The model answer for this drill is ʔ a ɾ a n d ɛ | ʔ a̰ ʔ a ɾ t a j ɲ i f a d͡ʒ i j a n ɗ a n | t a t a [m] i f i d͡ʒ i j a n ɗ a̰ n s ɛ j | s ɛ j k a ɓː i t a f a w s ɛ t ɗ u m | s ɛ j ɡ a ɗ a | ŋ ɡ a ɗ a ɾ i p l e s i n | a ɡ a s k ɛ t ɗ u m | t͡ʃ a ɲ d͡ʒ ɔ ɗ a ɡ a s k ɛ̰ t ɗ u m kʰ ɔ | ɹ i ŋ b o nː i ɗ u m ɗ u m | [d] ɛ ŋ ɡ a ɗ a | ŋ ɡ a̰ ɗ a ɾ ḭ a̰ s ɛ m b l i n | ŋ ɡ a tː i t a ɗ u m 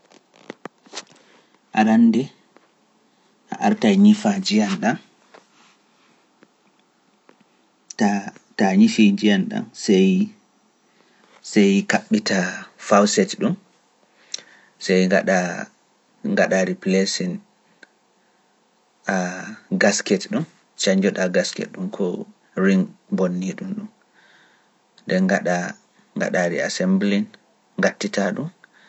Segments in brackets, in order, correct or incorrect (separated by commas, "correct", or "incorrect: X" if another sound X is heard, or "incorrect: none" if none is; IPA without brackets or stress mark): incorrect: ɲ, correct